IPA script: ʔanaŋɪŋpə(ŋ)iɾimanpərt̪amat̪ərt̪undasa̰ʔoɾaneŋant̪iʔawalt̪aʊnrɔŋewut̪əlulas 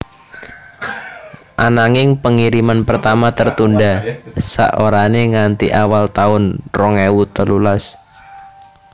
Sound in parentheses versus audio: correct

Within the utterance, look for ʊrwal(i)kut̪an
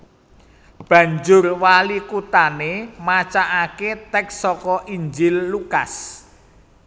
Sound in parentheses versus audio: correct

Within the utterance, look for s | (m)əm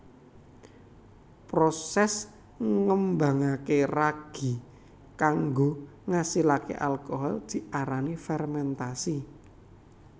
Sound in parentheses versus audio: incorrect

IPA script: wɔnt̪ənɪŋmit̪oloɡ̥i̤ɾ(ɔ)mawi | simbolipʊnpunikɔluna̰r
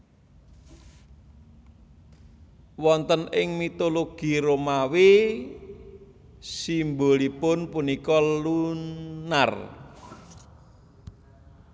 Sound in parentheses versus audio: incorrect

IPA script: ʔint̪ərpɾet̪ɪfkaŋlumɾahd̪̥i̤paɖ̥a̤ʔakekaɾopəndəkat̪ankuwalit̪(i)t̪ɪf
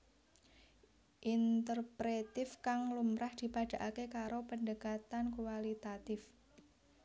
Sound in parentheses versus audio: incorrect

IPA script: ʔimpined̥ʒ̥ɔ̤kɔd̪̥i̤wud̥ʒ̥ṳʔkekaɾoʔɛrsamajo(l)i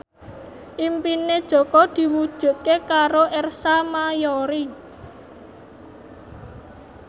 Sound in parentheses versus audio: incorrect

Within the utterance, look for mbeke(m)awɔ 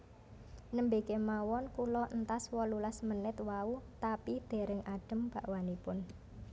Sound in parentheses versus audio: correct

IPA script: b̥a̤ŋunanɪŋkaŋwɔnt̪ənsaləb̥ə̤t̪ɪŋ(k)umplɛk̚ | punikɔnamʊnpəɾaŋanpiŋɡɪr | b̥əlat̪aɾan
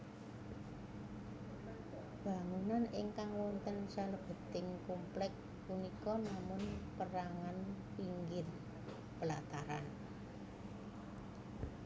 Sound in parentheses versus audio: correct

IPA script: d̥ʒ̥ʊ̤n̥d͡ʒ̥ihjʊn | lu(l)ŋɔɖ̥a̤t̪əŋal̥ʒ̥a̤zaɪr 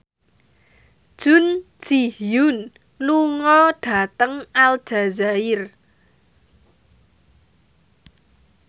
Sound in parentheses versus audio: incorrect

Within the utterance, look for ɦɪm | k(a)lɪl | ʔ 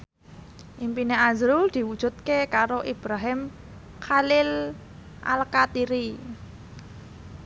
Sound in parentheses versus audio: correct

